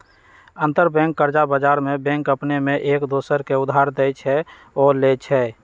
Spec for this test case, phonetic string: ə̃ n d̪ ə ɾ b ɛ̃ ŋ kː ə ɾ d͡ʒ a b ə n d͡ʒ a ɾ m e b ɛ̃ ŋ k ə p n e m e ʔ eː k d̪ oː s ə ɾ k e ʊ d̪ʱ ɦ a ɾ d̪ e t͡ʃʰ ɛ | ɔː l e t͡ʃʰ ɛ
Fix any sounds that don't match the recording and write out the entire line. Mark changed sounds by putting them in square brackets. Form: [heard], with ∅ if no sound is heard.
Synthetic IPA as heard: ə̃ n [t̪] ə ɾ b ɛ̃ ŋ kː ə ɾ d͡ʒ a b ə [∅] d͡ʒ a ɾ m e b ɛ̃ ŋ k ə p n e m e ʔ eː k d̪ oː s ə ɾ k e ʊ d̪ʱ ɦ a ɾ d̪ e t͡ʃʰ ɛ | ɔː l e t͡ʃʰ ɛ